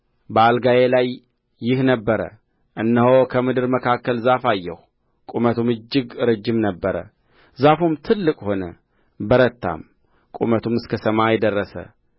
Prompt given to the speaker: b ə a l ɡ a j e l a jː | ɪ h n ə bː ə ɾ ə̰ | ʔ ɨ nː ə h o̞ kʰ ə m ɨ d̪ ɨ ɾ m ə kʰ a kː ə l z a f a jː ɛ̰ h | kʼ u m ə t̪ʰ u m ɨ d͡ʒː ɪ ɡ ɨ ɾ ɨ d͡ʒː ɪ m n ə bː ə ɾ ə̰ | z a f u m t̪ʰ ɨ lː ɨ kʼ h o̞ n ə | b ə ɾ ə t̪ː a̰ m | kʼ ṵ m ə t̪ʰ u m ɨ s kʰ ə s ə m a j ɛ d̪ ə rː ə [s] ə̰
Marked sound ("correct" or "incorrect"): correct